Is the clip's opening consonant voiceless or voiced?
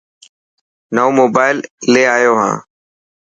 voiced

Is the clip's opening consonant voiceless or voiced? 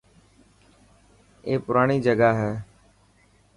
voiceless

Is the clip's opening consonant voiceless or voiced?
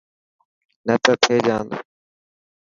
voiced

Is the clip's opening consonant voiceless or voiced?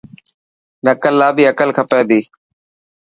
voiced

